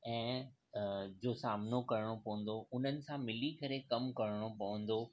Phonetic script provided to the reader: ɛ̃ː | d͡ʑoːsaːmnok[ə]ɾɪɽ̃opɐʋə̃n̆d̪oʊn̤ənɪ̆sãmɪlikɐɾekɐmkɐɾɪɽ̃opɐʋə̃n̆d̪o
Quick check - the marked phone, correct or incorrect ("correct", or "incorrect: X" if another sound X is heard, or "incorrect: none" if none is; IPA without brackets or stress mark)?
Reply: incorrect: ɐ